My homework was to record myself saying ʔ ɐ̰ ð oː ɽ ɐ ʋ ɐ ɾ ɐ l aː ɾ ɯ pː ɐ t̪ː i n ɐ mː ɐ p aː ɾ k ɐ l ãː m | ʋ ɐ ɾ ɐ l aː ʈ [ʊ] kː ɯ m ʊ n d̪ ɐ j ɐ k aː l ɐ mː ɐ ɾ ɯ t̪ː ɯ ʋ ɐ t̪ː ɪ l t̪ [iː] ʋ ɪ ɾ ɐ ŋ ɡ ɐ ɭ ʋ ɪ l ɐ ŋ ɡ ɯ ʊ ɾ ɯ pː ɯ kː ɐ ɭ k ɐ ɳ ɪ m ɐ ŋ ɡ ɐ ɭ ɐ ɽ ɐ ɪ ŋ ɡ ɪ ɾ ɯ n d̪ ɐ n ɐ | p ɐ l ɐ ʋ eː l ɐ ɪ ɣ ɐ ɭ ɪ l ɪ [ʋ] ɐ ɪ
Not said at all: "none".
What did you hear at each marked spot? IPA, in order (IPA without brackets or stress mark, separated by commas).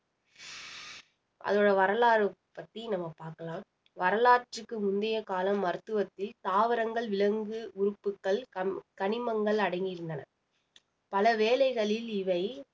ɯ, aː, ʋ